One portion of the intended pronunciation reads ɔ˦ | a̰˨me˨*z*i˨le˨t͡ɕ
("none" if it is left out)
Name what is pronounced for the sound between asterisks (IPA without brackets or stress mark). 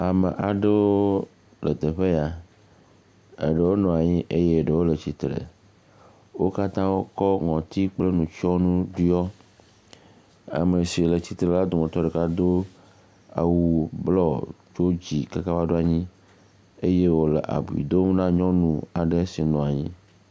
s